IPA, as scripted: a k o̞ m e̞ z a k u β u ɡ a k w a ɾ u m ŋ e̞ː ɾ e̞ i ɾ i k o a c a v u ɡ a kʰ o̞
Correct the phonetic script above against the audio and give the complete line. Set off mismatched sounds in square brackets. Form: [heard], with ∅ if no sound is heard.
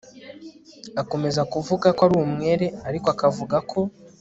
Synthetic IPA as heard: a k o̞ m e̞ z a k u [v] u ɡ a k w a ɾ u m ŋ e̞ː ɾ e̞ [a] ɾ i k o a [k] a v u ɡ a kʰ o̞

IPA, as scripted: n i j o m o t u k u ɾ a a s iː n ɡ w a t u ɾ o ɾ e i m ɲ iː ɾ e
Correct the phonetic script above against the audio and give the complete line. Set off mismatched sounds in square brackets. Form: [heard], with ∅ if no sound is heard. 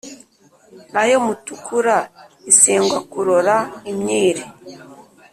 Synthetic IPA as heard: n [a] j o m [u] t u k u ɾ a [i] s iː [ŋ] ɡ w a [k] u ɾ o ɾ [a] i m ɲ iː ɾ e

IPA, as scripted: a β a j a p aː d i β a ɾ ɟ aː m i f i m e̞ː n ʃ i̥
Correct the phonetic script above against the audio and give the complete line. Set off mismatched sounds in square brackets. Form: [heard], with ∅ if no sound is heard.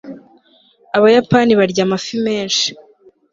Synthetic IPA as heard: a β a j a p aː [n] i β a ɾ ɟ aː m [a] f i m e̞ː n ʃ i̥

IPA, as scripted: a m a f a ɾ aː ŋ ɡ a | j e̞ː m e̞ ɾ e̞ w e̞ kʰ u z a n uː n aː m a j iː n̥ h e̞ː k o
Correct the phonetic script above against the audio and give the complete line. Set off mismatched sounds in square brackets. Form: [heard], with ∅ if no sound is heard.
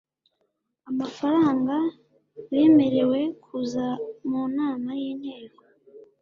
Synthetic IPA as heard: a m a f a ɾ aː ŋ ɡ a | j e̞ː m e̞ ɾ e̞ w e̞ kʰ u z a [m] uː n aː m a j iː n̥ h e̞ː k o

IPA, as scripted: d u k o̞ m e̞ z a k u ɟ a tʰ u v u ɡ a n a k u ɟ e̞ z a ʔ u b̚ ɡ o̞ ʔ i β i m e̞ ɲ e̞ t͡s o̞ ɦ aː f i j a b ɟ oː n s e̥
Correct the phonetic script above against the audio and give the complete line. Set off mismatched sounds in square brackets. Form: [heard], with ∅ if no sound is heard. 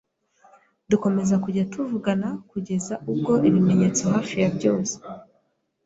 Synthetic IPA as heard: d u k o̞ m e̞ z a k u ɟ a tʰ u v u ɡ a n a k u ɟ e̞ z a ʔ u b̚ ɡ o̞ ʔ i β i m e̞ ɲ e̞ t͡s o̞ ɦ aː f i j a b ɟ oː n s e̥

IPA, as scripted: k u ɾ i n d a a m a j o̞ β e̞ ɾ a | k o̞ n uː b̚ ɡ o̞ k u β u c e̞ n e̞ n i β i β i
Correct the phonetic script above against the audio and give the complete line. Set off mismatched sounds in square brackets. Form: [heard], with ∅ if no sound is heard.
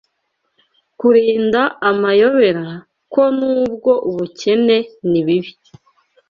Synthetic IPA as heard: k u ɾ [iː] n d a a m a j o̞ β e̞ ɾ a | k o̞ n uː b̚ ɡ o̞ [ʔ] u β u c e̞ n e̞ n i β i β i

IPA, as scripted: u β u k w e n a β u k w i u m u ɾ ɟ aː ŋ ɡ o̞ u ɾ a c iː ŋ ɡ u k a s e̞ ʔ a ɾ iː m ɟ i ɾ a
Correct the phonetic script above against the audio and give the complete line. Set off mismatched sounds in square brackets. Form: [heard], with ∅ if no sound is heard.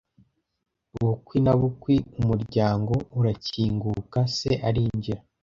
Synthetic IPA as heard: u β u k w [i] n a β u k w i u m u ɾ ɟ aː ŋ ɡ o̞ u ɾ a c iː ŋ ɡ u k a s e̞ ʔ a ɾ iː [ɲ] ɟ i ɾ a

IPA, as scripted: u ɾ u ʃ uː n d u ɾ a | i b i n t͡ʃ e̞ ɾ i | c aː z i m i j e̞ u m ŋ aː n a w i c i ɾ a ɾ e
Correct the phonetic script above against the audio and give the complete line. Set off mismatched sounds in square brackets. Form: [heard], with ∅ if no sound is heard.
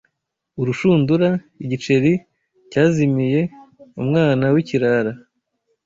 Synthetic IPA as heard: u ɾ u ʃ uː n d u ɾ a | i [ɟ] i [∅] t͡ʃ e̞ ɾ i | c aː z i m i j e̞ u m ŋ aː n a w i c i ɾ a ɾ [a]

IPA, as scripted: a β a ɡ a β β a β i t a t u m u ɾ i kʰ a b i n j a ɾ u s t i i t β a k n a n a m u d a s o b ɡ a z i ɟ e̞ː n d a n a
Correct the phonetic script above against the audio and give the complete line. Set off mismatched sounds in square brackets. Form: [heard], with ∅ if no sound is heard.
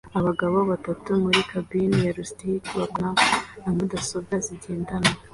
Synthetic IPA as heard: a β a ɡ a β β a β [a] t a t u m u ɾ i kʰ a b i n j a ɾ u s t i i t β a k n a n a m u d a s o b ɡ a z i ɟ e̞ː n d a n a

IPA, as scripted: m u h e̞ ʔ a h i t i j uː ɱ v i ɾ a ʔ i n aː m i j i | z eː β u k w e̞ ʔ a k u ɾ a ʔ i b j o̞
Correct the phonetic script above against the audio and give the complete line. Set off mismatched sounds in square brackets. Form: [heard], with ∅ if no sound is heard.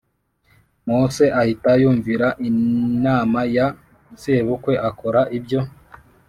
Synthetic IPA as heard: m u [s] e̞ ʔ a h i t [a] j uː ɱ v i ɾ a ʔ i n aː m [a] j [a] | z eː β u k w e̞ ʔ a k [o] ɾ a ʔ i b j o̞

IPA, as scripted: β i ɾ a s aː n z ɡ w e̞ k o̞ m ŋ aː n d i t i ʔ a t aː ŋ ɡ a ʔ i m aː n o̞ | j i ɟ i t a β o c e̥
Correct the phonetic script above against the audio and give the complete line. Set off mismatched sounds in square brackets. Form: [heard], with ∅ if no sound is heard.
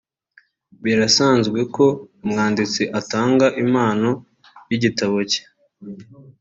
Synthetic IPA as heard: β i ɾ a s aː n z ɡ w e̞ k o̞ m ŋ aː n d i [t͡s] i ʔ a t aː ŋ ɡ a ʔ i m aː n o̞ | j i ɟ i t a β o c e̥

